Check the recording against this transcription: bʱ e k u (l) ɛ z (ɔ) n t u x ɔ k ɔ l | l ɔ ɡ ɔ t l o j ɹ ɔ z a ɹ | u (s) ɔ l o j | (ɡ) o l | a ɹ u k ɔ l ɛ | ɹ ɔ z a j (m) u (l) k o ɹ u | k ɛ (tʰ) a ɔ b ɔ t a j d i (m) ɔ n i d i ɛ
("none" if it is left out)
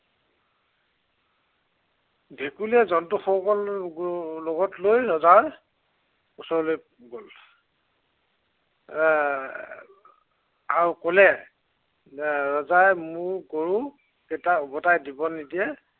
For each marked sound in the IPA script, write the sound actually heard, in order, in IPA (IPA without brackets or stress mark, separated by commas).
l, ɔ, s, ɡ, m, ɹ, t, b